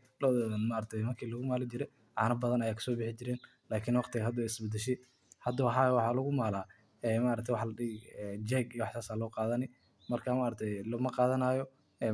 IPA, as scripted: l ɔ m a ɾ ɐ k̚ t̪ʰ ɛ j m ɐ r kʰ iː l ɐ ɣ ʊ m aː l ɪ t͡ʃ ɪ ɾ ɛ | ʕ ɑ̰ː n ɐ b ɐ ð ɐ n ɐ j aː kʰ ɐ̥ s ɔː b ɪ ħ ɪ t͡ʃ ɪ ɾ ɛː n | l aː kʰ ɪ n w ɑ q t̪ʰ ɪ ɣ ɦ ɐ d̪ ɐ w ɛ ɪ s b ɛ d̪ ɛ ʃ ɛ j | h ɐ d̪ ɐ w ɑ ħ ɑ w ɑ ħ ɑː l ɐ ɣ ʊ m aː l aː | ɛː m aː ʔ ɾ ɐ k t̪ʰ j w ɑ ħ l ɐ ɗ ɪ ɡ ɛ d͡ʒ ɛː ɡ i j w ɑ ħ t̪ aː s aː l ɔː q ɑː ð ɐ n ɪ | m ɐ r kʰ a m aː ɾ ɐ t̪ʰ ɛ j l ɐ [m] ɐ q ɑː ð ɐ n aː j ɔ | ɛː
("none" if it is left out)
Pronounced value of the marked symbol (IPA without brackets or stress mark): m